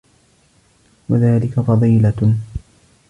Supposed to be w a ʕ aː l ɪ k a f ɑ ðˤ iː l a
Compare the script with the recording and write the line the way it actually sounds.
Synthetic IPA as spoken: w a ð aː l ɪ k a f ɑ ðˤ iː l a